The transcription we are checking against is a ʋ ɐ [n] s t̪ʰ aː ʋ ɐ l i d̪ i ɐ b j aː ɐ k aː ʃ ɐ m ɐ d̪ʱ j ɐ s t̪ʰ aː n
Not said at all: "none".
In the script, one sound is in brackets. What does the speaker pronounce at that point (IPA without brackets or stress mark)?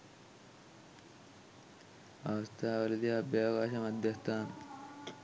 none